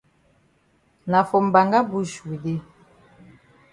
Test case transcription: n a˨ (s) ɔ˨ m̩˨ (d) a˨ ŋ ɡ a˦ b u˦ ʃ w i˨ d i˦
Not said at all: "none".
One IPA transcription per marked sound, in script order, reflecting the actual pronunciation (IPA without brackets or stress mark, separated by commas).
f, b